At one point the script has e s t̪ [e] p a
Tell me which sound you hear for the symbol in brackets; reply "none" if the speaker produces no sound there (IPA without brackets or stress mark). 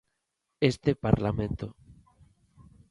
e